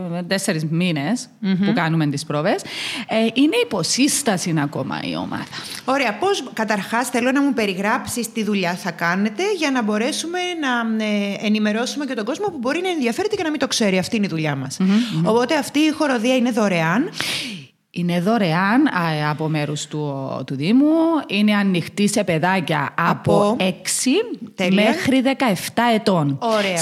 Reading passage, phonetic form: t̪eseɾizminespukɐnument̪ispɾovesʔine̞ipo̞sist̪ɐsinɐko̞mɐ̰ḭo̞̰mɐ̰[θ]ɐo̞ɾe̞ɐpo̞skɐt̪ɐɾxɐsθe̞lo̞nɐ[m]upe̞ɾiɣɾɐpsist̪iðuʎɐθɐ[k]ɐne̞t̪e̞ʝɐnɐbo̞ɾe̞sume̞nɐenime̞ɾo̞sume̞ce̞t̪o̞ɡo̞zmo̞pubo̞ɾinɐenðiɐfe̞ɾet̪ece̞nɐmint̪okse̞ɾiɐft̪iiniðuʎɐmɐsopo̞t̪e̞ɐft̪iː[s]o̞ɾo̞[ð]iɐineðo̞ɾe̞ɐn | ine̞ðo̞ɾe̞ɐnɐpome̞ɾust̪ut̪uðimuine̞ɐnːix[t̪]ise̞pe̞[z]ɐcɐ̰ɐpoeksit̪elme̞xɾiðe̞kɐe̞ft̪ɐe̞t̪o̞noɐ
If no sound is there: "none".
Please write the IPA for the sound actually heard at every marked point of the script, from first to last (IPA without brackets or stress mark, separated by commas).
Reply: ð, m, k, x, ð, t̪, ð